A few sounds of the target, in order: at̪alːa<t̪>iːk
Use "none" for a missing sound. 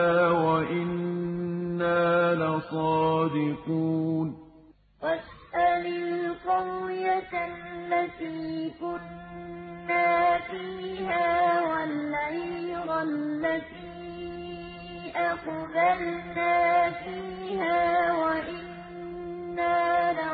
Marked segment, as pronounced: t̪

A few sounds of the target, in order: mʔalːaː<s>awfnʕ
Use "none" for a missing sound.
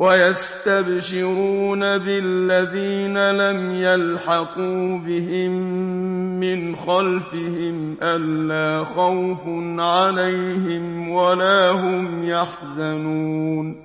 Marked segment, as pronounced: x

